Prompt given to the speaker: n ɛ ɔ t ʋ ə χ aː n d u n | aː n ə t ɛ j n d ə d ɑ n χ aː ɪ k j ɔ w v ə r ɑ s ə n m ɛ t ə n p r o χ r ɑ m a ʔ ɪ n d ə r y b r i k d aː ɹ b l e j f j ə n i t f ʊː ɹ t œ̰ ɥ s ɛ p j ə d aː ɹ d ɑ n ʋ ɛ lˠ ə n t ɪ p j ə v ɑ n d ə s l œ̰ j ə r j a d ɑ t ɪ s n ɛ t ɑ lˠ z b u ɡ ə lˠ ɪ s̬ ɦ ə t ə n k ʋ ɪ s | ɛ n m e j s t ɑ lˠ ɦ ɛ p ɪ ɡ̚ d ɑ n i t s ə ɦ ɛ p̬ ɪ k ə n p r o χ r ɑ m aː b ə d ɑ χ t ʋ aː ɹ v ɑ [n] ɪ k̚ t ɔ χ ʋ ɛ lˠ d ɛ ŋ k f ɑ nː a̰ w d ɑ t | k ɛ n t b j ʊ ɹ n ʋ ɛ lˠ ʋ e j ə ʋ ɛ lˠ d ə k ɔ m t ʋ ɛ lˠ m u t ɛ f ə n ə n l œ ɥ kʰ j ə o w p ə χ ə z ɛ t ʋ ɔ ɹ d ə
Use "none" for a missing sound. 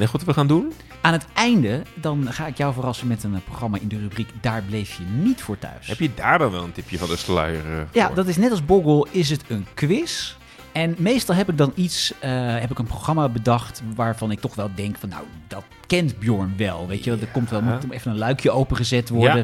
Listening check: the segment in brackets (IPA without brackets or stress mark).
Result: n